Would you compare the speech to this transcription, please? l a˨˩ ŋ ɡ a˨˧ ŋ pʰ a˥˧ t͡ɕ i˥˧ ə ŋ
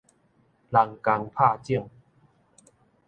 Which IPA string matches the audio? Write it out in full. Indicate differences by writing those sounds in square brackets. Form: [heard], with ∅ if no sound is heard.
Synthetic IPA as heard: l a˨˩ ŋ [k] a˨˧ ŋ pʰ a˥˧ t͡ɕ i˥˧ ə ŋ

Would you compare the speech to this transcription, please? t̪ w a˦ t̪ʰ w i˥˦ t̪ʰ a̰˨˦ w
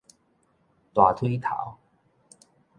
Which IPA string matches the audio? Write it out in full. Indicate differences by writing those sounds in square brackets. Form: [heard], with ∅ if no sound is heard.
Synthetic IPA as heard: t̪ w [a˨˩] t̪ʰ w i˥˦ t̪ʰ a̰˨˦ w

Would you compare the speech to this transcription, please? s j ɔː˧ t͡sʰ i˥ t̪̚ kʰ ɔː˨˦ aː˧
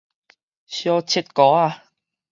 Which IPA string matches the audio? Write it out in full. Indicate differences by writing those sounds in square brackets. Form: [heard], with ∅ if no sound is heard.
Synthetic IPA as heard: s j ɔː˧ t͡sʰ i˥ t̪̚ [k] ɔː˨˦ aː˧

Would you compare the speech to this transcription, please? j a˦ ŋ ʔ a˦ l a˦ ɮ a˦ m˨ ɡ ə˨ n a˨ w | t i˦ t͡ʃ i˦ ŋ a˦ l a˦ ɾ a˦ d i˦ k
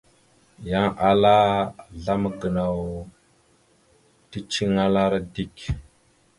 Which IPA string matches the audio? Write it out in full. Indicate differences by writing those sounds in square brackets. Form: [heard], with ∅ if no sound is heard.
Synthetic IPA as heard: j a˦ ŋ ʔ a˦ l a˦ ɮ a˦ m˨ ɡ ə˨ n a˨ w | t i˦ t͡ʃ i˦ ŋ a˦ l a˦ ɾ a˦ d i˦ k

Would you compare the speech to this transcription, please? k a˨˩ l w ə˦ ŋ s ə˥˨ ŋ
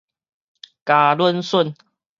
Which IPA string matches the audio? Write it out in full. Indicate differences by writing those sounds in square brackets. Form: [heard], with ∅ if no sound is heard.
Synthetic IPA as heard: k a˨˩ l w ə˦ [n] s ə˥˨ [n]

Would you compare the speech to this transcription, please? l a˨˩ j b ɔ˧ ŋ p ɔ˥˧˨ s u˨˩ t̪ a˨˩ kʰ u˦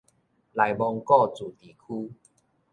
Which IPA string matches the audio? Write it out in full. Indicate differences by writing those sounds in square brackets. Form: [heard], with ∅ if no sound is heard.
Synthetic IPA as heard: l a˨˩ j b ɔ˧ ŋ [k] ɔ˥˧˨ [t͡s] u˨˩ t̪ [i˨˩] kʰ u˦

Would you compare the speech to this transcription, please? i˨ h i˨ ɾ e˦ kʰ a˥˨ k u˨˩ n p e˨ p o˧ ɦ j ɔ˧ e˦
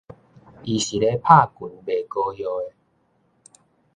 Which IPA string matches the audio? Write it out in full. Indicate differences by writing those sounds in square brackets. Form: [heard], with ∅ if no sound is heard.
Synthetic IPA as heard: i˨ [ɕ] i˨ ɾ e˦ [pʰ] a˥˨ k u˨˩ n [b] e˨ [k] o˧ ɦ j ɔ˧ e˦

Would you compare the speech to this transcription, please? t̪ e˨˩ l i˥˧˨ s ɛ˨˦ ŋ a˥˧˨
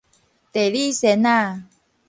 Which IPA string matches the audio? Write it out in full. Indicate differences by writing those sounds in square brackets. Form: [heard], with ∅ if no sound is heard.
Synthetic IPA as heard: t̪ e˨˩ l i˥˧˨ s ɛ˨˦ [n] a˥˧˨

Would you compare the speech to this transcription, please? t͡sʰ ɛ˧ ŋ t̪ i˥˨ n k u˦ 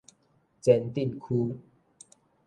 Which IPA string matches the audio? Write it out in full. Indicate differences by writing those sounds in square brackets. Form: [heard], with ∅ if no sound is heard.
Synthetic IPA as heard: [t͡s] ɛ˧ [n] t̪ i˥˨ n [kʰ] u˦

